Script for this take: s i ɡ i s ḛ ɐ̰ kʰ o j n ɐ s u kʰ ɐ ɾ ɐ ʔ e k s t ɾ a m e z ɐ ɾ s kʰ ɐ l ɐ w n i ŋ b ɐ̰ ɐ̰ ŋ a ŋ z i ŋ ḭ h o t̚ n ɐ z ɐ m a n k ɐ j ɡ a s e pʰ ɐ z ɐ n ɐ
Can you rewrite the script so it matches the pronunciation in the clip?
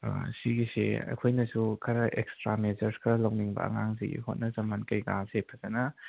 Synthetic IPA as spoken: s i ɡ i s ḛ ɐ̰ kʰ o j n ɐ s u kʰ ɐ ɾ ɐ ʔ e k s t ɾ a m e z ɐ ɾ s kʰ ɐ l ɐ w n i ŋ b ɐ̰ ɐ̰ ŋ a ŋ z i ɡ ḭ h o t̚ n ɐ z ɐ m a n k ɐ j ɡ a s e pʰ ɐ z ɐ n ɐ